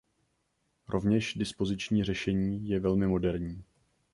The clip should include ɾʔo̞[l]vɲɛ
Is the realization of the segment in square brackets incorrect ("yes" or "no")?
yes